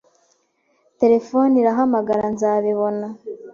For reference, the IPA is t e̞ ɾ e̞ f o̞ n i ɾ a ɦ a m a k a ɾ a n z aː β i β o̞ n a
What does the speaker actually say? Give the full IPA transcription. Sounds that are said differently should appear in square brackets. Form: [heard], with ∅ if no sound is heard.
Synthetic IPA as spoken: t e̞ ɾ e̞ f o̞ n i ɾ a ɦ a m a [ɡ] a ɾ a n z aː β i β o̞ n a